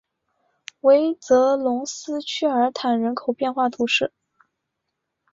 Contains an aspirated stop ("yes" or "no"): yes